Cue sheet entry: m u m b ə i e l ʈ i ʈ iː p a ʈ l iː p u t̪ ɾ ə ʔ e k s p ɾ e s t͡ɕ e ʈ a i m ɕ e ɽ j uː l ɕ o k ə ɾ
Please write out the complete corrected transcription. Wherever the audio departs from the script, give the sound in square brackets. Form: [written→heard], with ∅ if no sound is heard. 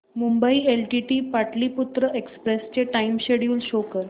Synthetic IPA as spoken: m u m b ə i e l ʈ i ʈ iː p a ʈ l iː p u t̪ ɾ ə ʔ e k s p ɾ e s t͡ɕ e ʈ a i m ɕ e ɽ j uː l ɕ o k ə ɾ